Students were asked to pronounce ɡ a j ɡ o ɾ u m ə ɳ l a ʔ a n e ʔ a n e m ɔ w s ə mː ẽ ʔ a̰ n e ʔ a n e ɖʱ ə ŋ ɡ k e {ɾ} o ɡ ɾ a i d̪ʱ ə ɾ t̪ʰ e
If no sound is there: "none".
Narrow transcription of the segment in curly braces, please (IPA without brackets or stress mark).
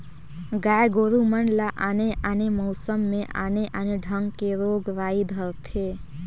ɾ